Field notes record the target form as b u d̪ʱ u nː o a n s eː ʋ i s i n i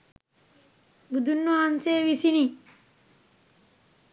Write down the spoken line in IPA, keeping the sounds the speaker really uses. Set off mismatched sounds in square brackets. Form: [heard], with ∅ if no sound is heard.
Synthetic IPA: b u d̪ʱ u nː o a n s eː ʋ i s i n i